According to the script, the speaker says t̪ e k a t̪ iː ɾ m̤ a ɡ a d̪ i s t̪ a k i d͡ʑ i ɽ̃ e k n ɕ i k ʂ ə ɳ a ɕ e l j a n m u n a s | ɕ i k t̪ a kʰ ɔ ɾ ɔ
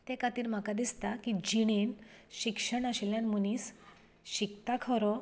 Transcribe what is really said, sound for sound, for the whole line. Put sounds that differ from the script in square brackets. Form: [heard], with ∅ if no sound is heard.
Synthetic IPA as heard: t̪ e k a t̪ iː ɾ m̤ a [k] a d̪ i s t̪ a k i d͡ʑ i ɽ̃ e [∅] n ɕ i k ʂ ə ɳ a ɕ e l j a n m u n [i] s | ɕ i k t̪ a kʰ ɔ ɾ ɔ